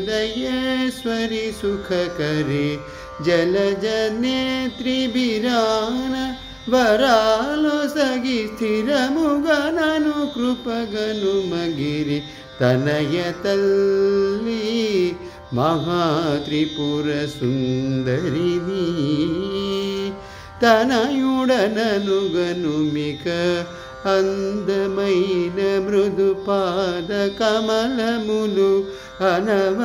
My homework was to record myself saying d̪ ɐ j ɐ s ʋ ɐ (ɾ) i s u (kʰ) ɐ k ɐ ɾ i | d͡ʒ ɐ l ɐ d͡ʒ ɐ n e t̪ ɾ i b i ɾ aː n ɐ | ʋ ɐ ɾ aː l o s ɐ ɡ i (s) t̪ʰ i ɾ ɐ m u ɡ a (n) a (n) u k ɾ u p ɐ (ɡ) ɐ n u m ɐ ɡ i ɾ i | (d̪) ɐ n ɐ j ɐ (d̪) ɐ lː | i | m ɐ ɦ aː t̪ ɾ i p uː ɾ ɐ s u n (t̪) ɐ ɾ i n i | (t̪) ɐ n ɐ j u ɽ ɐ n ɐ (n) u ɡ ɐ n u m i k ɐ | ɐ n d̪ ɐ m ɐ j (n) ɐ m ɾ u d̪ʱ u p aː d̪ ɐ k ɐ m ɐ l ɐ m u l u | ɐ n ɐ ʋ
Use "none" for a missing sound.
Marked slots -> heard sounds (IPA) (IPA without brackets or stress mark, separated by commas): ɾ, kʰ, s, n, n, ɡ, t̪, t̪, d̪, t̪, n, n